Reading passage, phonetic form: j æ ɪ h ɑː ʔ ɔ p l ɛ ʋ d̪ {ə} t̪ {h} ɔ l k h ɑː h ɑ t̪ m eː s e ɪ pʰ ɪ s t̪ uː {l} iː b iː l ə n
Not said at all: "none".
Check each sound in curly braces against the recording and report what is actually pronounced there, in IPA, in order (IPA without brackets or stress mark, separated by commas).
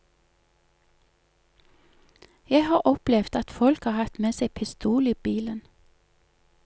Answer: ɑ, f, l